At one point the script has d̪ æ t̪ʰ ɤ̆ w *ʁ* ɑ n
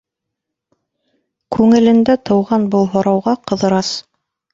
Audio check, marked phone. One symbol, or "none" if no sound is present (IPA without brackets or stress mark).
ʁ